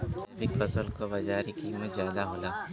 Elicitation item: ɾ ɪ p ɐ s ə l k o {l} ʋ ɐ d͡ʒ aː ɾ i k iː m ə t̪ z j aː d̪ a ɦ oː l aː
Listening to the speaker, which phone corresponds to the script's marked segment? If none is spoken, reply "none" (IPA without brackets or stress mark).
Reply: none